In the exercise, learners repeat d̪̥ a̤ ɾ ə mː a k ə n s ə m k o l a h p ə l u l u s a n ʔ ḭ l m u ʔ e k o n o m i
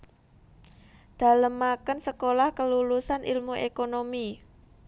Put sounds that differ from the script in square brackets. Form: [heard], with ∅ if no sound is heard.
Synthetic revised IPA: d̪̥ a̤ [l] ə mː a k ə n s ə [∅] k o l a h [k] ə l u l u s a n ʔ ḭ l m u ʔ e k o n o m i